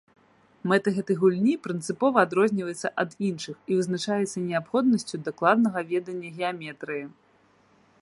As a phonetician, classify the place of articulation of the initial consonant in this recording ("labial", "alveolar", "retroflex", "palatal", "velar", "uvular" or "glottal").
labial